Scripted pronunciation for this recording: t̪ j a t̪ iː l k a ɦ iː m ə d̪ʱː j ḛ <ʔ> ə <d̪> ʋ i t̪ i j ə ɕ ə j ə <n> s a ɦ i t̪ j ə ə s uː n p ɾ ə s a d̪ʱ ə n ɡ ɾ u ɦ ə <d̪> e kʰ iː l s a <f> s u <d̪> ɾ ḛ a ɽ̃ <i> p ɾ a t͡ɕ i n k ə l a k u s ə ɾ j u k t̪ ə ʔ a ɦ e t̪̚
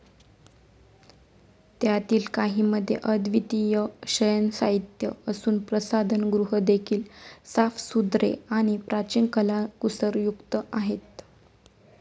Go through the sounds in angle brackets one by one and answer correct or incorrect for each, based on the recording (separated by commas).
correct, correct, correct, correct, correct, correct, correct